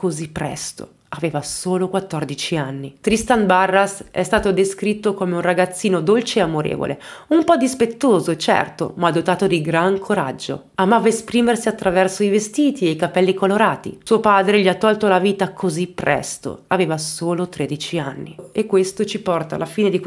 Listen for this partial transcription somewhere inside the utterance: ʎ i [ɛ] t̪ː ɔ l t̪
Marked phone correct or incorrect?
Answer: incorrect